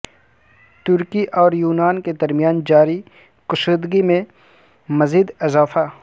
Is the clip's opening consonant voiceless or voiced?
voiceless